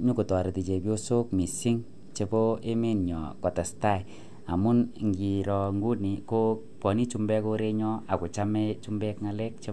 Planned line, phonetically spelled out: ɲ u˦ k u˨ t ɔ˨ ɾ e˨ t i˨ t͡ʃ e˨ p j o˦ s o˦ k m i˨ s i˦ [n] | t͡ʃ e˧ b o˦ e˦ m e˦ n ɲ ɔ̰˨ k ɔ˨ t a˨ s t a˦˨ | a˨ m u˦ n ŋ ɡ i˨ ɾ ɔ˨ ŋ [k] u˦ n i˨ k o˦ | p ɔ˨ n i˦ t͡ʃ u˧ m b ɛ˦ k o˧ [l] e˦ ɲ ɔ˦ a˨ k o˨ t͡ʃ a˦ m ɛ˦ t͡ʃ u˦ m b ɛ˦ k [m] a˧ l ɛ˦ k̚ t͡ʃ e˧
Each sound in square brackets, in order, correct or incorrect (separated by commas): incorrect, incorrect, incorrect, incorrect